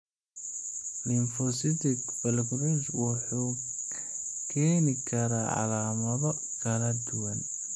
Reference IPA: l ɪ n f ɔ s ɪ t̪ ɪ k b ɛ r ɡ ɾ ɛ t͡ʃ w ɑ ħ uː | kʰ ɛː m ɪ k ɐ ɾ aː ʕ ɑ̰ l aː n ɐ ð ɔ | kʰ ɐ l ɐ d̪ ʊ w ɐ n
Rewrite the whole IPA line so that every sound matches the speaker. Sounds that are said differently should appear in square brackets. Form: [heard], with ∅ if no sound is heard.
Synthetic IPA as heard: l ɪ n f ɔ s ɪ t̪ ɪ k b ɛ [l] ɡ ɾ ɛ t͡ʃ w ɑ ħ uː | kʰ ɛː [n] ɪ [kʰ] ɐ ɾ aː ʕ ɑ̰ l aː [m] ɐ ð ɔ | kʰ ɐ l ɐ d̪ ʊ w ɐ n

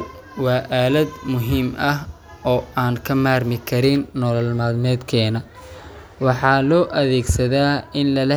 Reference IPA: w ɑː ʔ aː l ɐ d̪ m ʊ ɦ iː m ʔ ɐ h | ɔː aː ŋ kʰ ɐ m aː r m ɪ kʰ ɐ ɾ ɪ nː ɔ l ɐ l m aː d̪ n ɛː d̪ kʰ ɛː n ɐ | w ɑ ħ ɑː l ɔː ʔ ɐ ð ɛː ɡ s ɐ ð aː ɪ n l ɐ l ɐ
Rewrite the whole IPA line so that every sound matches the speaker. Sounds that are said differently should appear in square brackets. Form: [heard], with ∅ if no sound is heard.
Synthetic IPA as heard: w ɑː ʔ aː l ɐ d̪ m ʊ ɦ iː m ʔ ɐ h | ɔː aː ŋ kʰ ɐ m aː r m ɪ kʰ ɐ ɾ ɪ nː ɔ l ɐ l m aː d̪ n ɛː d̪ kʰ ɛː n ɐ | w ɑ ħ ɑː l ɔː ʔ ɐ ð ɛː ɡ s ɐ ð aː ɪ n l ɐ l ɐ

